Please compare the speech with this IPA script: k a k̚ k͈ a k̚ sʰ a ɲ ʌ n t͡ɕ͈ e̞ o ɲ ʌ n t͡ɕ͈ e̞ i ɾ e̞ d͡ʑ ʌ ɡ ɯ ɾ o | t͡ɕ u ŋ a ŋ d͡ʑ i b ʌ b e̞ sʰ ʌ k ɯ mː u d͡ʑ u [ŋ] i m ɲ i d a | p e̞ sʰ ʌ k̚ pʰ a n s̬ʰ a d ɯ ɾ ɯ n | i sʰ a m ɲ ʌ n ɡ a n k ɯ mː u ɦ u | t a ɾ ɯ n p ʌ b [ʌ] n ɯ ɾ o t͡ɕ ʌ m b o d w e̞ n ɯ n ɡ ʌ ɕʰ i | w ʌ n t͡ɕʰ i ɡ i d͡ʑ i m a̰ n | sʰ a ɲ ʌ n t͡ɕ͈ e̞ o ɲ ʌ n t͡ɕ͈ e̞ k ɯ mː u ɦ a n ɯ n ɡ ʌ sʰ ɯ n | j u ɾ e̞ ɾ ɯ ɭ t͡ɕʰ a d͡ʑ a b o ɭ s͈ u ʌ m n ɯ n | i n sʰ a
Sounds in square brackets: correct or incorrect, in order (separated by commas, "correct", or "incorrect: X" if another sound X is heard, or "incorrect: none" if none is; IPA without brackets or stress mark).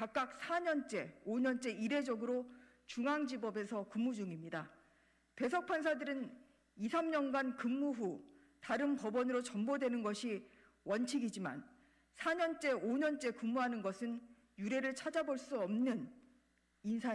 correct, correct